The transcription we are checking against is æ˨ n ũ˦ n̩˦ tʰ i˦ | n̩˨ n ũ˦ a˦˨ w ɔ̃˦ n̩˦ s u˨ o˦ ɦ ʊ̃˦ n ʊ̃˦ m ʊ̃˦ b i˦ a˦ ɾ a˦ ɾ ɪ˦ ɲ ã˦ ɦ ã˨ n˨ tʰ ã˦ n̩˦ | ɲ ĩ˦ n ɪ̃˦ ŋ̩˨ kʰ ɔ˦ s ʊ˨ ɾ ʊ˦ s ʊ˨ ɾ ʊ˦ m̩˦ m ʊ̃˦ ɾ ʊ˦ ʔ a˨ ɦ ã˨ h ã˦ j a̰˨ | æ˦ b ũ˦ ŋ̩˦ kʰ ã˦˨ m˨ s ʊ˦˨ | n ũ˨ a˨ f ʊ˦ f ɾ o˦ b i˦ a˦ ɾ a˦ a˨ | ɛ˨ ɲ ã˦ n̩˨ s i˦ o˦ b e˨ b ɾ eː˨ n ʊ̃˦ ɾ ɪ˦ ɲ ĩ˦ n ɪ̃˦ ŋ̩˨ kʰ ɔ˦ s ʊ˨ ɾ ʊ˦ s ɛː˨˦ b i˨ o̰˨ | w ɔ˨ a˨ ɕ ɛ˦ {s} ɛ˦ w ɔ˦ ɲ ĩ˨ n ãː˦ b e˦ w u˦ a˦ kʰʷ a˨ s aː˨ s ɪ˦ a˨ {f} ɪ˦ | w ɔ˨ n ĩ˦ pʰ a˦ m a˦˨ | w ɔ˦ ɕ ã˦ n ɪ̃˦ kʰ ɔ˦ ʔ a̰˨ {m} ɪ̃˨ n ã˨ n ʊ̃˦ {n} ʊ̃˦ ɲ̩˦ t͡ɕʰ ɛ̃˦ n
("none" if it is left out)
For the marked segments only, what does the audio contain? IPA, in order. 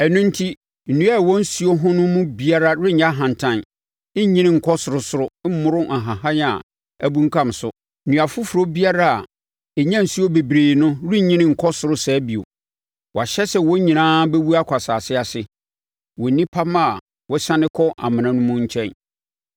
s, s, m, m

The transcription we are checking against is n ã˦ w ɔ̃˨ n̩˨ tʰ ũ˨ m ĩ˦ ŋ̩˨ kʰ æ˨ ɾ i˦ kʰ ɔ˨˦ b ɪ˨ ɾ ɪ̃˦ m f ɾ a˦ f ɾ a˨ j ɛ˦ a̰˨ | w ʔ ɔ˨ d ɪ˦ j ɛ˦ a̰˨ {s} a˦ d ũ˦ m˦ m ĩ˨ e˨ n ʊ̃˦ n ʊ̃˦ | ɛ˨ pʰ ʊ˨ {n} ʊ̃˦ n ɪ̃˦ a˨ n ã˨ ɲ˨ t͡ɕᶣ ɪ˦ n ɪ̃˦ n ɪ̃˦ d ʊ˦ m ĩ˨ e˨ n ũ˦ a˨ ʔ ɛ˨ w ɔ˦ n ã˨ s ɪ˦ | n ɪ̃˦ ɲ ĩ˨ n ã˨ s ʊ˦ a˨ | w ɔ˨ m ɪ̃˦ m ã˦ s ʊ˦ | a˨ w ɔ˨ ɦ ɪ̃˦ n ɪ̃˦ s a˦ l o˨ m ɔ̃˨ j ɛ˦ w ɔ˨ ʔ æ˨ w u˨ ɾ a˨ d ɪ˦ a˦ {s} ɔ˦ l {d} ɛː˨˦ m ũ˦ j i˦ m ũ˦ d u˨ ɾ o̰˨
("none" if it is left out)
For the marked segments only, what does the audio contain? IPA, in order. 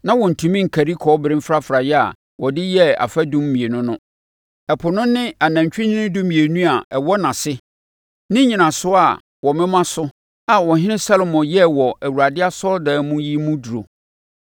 f, n, s, d

